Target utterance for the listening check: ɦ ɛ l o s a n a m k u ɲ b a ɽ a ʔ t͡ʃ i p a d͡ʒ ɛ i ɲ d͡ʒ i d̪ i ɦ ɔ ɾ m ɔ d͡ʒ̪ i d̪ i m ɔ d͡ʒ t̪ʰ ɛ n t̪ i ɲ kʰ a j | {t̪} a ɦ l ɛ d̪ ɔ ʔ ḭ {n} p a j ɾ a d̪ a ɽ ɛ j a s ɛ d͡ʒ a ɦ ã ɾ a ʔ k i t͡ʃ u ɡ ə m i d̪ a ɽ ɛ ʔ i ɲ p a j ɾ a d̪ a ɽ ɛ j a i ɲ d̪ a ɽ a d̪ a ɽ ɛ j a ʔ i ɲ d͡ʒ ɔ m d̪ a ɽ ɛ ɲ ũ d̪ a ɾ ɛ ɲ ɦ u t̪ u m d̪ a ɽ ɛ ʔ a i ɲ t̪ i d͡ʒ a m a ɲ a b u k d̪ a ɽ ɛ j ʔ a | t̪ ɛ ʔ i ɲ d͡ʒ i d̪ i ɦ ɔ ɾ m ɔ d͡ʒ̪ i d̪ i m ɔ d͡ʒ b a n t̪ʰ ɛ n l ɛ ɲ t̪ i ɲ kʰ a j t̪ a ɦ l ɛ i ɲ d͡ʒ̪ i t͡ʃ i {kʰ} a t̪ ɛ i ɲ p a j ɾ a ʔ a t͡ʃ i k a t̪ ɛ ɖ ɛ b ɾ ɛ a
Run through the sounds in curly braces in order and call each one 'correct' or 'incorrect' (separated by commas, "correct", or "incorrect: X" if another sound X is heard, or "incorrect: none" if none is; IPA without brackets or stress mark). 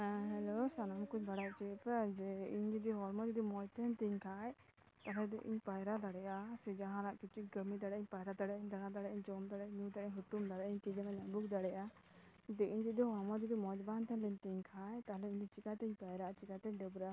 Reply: correct, incorrect: ɲ, incorrect: k